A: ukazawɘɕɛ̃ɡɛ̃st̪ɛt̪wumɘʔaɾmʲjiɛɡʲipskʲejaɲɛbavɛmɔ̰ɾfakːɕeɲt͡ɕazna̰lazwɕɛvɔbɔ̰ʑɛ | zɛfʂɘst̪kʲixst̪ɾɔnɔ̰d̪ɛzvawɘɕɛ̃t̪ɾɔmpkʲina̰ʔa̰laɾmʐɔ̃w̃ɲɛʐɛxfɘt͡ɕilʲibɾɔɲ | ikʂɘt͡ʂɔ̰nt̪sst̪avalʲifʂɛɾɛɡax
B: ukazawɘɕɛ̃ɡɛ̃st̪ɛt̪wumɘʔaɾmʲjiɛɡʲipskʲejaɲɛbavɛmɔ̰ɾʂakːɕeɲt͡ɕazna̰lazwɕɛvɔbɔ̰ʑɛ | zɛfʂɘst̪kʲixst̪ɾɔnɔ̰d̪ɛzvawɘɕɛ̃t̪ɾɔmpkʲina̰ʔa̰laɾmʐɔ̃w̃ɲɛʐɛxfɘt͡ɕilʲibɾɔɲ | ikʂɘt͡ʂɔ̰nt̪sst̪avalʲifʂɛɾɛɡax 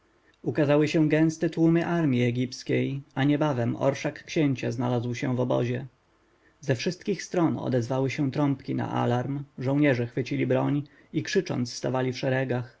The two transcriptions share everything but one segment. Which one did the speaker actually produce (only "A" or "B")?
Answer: B